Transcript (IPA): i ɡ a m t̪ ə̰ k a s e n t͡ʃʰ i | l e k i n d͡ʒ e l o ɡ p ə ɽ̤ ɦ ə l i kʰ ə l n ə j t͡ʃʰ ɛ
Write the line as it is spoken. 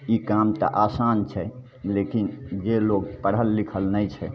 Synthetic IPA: i k a m t̪ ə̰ ʔ a s a n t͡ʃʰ ɛ | l e k i n d͡ʒ e l o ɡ p ə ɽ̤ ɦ ə lː i kʰ ə l n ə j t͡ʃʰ ɛ

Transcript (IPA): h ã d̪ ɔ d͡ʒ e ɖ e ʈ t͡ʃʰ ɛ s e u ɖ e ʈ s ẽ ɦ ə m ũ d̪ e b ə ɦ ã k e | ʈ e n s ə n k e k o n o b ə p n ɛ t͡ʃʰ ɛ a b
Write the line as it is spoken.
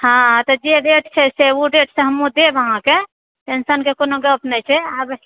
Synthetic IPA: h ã t̪ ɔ d͡ʒ e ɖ e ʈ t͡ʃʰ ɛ s e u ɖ e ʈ s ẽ ɦ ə m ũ d̪ e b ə ɦ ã k e | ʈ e n s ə n k e k o n o ɡ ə p n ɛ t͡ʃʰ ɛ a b

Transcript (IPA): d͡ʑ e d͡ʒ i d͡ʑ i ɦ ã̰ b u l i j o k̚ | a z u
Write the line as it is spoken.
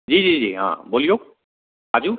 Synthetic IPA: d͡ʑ i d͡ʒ i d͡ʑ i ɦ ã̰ b o l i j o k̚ | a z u

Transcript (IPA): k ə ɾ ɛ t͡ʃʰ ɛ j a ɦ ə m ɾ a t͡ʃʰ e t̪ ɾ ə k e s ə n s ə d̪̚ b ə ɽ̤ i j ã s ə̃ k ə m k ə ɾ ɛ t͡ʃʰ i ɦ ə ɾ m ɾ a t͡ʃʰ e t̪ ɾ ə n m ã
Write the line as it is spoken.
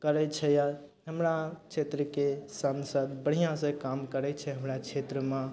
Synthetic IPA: k ə ɾ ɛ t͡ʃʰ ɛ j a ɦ ə m ɾ a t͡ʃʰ e t̪ ɾ ə k e s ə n s ə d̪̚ b ə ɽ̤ i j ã s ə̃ k a m k ə ɾ ɛ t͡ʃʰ ɛ ɦ ə m ɾ a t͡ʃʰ e t̪ ɾ ə m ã

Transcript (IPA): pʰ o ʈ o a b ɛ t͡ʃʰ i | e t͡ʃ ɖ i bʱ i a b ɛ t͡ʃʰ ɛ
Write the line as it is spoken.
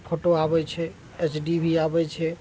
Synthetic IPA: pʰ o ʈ o a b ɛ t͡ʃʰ ɛ | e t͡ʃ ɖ i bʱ i a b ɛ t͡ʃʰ ɛ

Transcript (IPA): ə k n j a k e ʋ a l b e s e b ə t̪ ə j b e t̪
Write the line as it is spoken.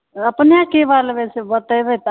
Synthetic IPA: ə p n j a k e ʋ a l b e s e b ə t̪ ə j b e t̪

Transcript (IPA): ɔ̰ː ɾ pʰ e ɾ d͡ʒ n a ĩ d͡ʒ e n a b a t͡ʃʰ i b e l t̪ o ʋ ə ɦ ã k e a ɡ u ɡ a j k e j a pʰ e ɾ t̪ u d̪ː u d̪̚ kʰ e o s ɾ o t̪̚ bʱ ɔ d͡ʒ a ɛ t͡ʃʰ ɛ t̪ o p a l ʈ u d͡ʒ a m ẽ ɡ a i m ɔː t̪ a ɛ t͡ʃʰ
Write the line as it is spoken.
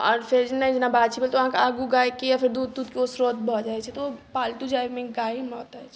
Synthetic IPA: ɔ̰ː ɾ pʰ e ɾ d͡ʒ n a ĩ d͡ʒ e n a b a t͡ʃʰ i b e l t̪ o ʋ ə ɦ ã k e a ɡ u ɡ a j k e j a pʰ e ɾ d̪ u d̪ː u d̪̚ k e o s ɾ o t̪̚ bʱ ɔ d͡ʒ a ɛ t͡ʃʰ ɛ t̪ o p a l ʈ u d͡ʒ a m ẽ ɡ a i m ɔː t̪ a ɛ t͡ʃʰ

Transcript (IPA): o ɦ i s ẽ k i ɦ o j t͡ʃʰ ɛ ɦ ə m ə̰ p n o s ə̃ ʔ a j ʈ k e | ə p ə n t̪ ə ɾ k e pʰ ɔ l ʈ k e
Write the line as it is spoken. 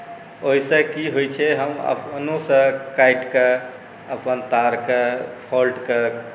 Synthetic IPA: o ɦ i s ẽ k i ɦ o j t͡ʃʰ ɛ ɦ ə m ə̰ p n o s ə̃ k a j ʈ k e | ə p ə n t̪ a ɾ k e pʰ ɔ l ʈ k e

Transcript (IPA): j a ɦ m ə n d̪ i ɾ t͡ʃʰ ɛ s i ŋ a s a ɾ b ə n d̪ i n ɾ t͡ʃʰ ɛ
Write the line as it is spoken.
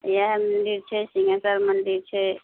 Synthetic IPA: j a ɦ m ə n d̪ i ɾ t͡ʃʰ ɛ s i ŋ a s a ɾ m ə n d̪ i ɾ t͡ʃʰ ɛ

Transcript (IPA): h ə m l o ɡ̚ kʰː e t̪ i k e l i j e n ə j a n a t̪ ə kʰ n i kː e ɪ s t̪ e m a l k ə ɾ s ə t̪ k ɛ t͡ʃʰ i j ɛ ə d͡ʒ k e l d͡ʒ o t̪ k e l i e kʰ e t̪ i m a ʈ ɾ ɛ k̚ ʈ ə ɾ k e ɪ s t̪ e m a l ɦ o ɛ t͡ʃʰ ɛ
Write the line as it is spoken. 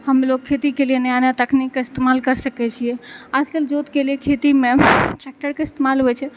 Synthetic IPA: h ə m l o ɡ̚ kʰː e t̪ i k e l i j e n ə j a n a t̪ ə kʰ n i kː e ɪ s t̪ e m a l k ə ɾ s ə k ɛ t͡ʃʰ i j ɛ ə d͡ʒ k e l d͡ʒ o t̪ k e l i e kʰ e t̪ i m e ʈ ɾ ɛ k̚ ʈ ə ɾ k e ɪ s t̪ e m a l ɦ o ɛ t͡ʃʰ ɛ

